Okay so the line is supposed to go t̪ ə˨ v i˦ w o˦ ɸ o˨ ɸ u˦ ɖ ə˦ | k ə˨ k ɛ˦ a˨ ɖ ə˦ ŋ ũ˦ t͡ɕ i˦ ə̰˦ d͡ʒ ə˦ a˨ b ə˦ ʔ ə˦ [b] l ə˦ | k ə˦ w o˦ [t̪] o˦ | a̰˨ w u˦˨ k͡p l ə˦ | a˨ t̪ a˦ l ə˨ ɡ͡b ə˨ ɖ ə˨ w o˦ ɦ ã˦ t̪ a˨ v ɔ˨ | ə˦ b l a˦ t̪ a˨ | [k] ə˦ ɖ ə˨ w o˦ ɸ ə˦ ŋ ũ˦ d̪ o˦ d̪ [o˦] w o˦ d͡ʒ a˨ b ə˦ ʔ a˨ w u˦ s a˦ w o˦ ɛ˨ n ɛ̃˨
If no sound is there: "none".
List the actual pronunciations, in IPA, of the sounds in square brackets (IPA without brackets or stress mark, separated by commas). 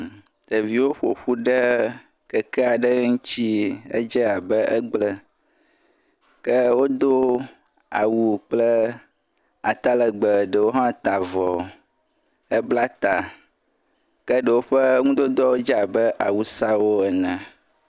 ɡ͡b, d̪, k, ɔ˦